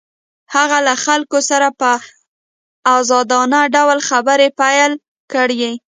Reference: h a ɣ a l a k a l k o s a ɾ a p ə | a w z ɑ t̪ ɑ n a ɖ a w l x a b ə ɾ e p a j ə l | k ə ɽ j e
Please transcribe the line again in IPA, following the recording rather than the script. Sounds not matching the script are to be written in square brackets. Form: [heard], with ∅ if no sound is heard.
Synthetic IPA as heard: h a ɣ a l a [x] a l k o s a ɾ a p ə | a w z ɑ [d̪] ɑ n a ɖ a w l x a b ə ɾ e p a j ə l | k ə ɽ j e